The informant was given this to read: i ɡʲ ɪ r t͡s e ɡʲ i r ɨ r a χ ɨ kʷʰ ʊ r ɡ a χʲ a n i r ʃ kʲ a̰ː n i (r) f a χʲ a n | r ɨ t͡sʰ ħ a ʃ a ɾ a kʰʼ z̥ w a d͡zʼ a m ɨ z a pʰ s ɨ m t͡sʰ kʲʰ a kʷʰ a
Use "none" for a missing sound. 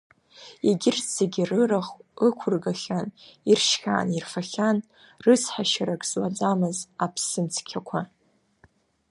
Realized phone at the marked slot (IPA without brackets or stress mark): r